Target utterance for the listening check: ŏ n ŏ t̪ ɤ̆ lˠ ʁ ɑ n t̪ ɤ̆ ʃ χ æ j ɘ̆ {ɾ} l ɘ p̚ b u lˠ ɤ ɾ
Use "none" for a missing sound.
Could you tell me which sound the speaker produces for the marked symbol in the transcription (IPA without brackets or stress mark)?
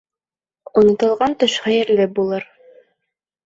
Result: ɾ